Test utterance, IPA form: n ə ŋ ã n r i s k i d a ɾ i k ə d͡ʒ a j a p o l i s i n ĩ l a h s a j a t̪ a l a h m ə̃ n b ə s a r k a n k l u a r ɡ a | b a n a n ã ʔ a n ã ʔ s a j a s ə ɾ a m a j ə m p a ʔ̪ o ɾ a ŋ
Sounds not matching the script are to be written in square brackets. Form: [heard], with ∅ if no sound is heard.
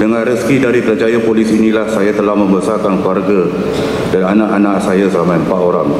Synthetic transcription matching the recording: [d] ə ŋ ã n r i s k i d a ɾ i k ə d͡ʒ a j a p o l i s i n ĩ l a h s a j a t̪ [ə] l a h m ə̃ [m] b ə s a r k a n k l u a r ɡ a | [d] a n a n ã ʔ a n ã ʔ s a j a s ə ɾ a m a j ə m p a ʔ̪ o ɾ a ŋ